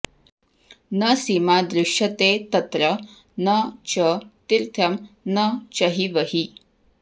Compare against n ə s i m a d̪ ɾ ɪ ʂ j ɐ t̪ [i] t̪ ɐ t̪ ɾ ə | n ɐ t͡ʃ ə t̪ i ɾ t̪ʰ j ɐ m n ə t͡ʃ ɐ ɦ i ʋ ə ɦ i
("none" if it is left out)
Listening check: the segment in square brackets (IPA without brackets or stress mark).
e